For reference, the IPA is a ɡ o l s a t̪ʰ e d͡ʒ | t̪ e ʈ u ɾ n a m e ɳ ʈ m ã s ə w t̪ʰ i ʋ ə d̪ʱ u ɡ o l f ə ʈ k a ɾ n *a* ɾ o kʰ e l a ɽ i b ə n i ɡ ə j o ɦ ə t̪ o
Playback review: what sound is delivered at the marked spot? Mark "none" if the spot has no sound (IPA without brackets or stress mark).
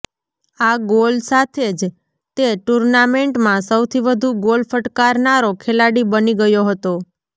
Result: a